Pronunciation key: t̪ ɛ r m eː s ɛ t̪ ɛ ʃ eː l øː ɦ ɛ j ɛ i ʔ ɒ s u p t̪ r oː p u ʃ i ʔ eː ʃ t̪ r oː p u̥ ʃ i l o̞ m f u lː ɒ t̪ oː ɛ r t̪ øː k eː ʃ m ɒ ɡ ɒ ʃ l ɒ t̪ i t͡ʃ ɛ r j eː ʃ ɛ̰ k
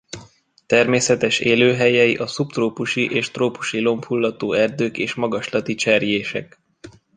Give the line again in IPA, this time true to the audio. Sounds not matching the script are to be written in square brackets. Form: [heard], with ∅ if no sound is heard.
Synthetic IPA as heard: t̪ ɛ r m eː s ɛ t̪ ɛ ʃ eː l øː ɦ ɛ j ɛ i ʔ ɒ s u p t̪ r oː p u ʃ i ʔ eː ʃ t̪ r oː p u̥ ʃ i l o̞ m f u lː ɒ t̪ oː ɛ r [d̪] øː k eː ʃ m ɒ ɡ ɒ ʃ l ɒ t̪ i t͡ʃ ɛ r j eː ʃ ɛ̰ k